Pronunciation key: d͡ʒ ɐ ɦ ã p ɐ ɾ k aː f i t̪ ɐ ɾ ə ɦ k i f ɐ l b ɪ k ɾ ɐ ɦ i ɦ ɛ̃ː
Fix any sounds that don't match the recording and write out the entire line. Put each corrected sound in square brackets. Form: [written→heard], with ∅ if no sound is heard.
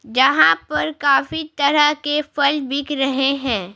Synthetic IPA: d͡ʒ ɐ ɦ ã p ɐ ɾ k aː f i t̪ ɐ ɾ ə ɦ k [i→e] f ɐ l b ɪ k ɾ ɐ ɦ [i→e] ɦ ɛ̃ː